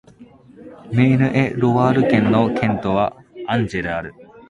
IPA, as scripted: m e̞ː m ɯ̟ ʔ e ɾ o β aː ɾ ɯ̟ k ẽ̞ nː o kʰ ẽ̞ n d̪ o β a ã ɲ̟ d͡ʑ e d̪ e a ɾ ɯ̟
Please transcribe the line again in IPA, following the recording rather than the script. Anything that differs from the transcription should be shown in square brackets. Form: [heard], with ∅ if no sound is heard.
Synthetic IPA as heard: m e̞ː [n] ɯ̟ ʔ e ɾ o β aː ɾ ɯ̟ k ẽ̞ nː o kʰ ẽ̞ n [t̪] o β a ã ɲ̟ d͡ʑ e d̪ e a ɾ ɯ̟